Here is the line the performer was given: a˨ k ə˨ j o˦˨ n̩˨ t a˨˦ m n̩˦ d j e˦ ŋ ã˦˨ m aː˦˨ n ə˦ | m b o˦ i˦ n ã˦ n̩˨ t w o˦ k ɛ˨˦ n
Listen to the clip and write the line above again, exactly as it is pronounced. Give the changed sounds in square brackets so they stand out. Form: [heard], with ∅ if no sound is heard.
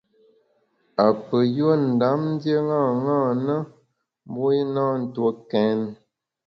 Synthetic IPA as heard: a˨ [p] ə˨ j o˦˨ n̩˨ [d] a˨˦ m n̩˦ d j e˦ ŋ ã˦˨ [ŋ] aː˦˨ n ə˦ | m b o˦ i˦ n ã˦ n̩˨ t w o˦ k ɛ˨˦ n